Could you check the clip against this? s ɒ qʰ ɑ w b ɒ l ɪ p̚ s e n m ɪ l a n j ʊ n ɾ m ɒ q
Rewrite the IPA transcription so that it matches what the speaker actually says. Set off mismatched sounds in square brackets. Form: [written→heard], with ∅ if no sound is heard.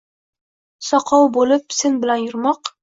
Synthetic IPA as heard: s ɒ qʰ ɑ w b [ɒ→o] l ɪ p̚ s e n [m→b] ɪ l a n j ʊ [n→∅] ɾ m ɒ q